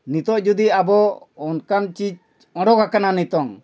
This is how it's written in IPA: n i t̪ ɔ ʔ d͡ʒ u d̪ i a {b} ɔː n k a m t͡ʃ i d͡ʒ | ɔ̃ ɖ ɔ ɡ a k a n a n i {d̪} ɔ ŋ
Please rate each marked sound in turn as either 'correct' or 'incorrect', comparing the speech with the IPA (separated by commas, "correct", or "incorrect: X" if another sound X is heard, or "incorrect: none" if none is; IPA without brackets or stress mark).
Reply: correct, incorrect: t̪